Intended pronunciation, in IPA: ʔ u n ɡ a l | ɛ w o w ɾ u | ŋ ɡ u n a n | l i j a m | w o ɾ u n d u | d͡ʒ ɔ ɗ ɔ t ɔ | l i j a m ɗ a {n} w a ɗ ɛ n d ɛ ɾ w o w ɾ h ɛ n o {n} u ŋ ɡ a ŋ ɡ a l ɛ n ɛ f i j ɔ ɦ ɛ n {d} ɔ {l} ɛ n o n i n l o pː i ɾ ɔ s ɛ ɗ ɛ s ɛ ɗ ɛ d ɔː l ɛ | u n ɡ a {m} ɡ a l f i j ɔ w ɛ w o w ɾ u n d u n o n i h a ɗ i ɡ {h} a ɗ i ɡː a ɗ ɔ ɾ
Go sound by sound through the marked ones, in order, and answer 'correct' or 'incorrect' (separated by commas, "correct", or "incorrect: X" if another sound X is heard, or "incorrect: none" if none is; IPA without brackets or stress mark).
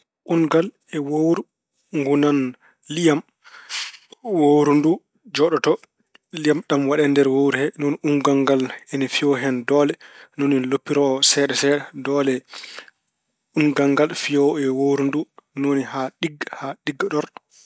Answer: incorrect: m, correct, correct, correct, incorrect: ŋ, correct